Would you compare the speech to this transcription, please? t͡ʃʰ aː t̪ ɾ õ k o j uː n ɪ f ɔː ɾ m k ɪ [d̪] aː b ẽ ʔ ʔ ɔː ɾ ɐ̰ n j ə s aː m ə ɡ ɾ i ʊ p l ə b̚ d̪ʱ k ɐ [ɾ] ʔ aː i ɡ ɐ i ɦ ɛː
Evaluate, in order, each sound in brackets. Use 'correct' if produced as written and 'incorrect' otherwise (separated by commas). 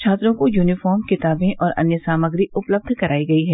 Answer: incorrect, correct